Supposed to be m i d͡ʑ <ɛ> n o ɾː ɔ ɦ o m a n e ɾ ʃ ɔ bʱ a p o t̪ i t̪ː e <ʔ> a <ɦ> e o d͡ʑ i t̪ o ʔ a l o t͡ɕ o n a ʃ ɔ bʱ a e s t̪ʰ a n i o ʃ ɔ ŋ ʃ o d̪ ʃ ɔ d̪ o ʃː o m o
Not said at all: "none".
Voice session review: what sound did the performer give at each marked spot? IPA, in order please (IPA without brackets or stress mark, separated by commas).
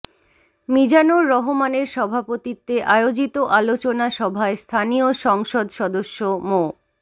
a, ʔ, none